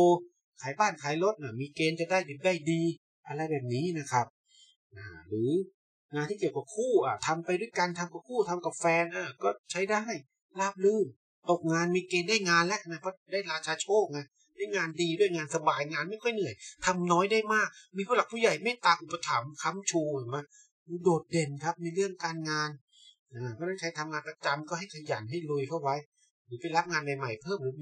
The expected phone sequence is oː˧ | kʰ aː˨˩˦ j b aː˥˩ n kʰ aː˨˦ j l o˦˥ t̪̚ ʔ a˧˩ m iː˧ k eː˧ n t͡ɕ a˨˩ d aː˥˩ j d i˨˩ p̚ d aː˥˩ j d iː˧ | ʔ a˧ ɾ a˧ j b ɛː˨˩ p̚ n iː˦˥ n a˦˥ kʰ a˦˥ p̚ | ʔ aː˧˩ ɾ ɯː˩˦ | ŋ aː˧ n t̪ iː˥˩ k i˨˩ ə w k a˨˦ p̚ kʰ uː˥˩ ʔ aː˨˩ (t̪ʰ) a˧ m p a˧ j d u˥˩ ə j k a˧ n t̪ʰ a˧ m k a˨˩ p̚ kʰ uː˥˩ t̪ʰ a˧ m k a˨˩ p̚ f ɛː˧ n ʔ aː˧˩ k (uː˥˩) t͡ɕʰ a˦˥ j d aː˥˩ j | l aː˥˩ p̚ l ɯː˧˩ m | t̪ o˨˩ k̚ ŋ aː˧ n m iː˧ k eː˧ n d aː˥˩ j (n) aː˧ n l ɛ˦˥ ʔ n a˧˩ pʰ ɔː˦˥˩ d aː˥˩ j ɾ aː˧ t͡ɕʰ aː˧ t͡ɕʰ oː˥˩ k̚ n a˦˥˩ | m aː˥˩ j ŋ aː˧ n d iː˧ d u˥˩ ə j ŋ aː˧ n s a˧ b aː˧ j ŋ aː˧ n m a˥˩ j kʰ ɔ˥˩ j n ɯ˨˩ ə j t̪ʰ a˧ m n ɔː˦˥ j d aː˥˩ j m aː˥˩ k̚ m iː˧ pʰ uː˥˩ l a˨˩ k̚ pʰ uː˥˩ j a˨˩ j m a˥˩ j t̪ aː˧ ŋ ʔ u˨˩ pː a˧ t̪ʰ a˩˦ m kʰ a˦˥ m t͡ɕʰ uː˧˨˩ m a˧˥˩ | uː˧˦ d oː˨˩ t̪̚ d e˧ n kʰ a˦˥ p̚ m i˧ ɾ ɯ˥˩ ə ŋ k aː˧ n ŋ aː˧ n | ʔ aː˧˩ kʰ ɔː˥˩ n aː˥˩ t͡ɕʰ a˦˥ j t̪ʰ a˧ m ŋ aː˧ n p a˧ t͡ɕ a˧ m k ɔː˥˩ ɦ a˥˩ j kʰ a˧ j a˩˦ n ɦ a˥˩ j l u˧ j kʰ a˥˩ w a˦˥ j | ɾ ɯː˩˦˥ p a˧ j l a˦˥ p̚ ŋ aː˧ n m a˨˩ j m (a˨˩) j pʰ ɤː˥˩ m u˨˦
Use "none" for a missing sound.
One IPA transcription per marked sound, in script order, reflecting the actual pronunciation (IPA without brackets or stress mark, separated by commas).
t̪ʰ, ɔː˥˩, ŋ, a˨˩